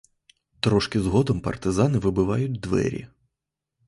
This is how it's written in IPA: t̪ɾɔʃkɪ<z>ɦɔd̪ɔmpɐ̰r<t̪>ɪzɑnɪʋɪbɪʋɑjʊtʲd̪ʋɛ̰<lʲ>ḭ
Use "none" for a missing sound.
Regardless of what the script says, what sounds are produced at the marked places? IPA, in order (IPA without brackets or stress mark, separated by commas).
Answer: z, t̪, ɾʲ